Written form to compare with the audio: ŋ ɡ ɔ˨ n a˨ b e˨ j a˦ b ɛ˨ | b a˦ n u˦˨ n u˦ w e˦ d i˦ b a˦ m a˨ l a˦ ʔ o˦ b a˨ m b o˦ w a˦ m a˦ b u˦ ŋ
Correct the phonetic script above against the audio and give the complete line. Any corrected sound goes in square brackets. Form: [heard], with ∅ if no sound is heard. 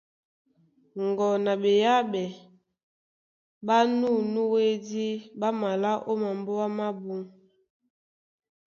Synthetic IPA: ŋ ɡ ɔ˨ n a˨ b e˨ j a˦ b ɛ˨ | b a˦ n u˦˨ n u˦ w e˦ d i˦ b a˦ m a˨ l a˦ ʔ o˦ [m] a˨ m b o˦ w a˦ m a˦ b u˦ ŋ

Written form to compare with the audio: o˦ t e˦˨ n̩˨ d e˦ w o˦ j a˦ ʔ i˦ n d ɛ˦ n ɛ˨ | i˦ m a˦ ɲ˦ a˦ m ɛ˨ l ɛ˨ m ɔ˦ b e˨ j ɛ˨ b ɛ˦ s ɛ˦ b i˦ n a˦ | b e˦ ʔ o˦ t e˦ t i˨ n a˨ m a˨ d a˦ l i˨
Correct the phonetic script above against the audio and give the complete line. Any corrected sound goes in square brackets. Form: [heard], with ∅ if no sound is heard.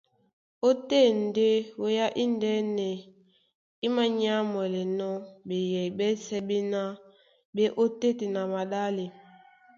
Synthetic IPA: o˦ t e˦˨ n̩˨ d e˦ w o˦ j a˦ ʔ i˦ n d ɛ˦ n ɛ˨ | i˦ m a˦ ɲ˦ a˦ m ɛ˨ l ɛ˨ [n] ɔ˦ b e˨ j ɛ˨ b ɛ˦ s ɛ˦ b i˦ n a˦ | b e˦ ʔ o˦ t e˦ t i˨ n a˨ m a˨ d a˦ l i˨

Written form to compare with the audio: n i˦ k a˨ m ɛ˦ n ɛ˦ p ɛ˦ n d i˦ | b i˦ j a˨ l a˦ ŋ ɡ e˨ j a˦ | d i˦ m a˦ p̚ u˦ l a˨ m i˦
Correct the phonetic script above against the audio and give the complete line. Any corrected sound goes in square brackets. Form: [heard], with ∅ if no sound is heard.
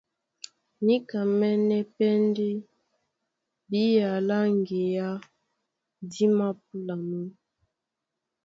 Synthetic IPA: n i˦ k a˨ m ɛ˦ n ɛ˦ p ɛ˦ n d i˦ | b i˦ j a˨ l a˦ ŋ ɡ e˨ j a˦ | d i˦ m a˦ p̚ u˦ l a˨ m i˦

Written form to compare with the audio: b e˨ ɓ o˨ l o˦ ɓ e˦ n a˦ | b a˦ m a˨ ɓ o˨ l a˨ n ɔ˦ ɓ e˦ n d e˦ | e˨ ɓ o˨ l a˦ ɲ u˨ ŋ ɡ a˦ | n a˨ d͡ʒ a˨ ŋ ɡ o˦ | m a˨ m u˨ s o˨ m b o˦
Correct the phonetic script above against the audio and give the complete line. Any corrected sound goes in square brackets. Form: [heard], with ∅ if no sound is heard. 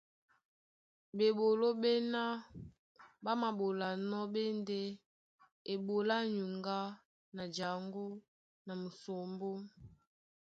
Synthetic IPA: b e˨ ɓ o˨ l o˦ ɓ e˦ n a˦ | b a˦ m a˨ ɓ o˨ l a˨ n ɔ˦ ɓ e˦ n d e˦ | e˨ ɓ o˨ l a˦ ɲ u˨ ŋ ɡ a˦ | n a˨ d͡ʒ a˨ ŋ ɡ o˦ | [n] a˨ m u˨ s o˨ m b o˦

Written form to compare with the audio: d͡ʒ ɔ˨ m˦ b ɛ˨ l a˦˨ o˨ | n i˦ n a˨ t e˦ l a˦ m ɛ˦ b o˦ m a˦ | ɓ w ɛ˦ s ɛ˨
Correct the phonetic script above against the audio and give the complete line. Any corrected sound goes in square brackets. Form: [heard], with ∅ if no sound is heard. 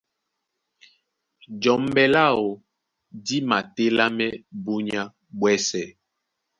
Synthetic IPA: d͡ʒ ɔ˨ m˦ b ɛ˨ l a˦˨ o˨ | [d] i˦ [m] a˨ t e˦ l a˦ m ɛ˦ b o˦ [ɲ] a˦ | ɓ w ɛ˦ s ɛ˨

